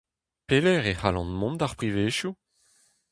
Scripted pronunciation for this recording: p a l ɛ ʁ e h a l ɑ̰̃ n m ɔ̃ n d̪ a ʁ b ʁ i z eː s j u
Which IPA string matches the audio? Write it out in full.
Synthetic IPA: p e l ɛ ʁ e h a l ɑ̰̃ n m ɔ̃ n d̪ a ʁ p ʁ i v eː ʃ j u